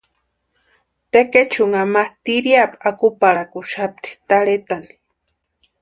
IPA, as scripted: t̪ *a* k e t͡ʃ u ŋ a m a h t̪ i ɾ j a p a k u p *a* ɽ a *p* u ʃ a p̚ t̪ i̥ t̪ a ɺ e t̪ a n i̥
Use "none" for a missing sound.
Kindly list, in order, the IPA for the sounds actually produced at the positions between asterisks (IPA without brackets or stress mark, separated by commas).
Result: e, a, k